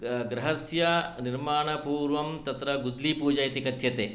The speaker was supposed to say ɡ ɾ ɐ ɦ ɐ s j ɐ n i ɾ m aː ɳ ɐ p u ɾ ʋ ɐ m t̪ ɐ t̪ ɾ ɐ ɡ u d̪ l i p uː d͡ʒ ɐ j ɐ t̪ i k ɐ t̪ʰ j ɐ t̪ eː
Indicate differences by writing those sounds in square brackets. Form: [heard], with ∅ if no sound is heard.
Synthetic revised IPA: ɡ ɾ ɐ ɦ ɐ s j ɐ n i ɾ m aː ɳ ɐ p [uː] ɾ ʋ ɐ m t̪ ɐ t̪ ɾ ɐ ɡ u d̪ l i p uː d͡ʒ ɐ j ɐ t̪ i k ɐ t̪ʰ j ɐ t̪ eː